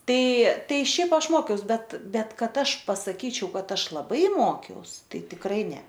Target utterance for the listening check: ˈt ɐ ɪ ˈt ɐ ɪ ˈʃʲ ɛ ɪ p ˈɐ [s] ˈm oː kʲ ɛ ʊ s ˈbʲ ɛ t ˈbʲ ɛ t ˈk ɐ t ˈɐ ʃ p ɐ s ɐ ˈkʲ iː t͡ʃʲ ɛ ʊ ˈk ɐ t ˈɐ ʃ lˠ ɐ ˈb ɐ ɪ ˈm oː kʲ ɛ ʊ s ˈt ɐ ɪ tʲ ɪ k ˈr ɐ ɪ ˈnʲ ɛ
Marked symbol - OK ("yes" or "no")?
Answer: no